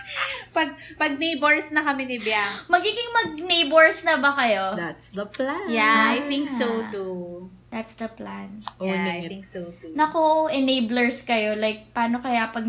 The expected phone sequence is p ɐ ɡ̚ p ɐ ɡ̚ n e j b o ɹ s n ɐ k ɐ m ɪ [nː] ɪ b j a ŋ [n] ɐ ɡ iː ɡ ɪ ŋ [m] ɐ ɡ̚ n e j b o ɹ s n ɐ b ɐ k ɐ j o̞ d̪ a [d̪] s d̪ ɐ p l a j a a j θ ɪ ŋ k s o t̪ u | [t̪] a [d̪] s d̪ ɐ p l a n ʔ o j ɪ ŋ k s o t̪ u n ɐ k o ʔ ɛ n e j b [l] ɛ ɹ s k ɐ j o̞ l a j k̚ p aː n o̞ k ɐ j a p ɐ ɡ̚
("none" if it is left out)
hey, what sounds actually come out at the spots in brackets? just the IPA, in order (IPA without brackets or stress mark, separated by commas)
n, m, m, t̪, d̪, t̪, l